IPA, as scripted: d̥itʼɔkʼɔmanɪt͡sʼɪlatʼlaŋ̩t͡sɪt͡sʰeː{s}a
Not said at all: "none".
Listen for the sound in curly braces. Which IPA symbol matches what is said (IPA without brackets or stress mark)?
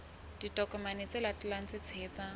t͡s